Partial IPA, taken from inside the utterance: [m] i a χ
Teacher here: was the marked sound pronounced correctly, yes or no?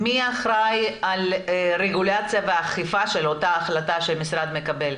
yes